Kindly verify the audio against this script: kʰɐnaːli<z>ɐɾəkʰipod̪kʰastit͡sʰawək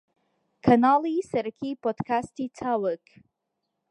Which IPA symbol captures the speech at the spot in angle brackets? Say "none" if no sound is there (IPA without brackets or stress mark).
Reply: s